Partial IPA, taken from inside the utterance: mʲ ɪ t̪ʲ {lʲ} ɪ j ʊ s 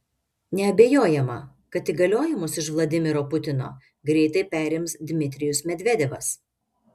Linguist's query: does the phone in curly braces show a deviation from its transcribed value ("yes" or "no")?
yes